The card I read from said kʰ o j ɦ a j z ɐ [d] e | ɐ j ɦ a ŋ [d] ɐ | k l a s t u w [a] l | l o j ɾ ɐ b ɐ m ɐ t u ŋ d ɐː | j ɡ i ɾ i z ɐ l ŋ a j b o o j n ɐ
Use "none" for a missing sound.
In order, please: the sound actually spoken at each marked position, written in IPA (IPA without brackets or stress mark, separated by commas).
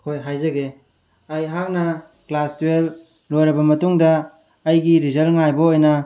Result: ɡ, n, e